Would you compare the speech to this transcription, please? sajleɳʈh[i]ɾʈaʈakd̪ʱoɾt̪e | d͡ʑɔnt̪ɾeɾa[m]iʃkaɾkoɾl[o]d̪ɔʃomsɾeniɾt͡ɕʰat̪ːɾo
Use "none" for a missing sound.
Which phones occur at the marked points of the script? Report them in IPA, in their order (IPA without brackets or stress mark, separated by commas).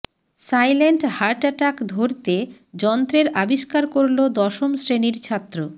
a, b, o